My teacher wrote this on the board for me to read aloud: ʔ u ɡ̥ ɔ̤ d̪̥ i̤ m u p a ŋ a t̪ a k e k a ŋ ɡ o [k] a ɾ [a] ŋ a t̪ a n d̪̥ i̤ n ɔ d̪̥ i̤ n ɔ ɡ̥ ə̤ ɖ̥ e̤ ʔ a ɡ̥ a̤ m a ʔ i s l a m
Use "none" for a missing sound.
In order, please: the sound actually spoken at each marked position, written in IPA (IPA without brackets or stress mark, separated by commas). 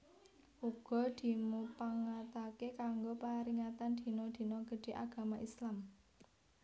p, i